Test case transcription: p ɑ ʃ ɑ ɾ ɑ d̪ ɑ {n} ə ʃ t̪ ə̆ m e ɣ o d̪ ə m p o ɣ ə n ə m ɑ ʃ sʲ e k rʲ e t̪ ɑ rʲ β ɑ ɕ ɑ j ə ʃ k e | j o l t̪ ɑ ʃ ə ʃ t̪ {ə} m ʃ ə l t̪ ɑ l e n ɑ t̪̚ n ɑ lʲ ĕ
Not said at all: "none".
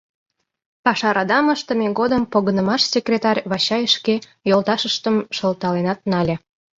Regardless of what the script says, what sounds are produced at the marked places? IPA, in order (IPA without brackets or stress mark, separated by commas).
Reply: m, ə